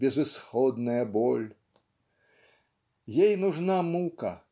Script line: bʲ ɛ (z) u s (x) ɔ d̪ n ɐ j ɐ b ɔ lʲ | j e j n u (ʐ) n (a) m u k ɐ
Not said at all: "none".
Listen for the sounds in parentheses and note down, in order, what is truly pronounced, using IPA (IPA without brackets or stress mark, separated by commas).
z, x, ʐ, a